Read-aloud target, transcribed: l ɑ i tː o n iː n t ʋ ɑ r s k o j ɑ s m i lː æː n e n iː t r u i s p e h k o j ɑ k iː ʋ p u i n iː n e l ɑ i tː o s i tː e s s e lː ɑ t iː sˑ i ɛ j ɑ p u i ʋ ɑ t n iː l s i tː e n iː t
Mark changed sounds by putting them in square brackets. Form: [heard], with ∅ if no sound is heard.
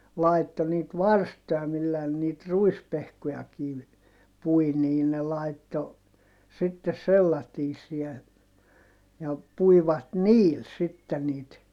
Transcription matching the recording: l ɑ i tː o n iː [∅] t ʋ ɑ r s [t] o j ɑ [∅] m i lː æː n e n iː t r u i s p e h k o j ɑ k iː ʋ p u i n iː n e l ɑ i tː o s i tː e s s e lː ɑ t iː sˑ i ɛ j ɑ p u i ʋ ɑ t n iː l s i tː e n iː t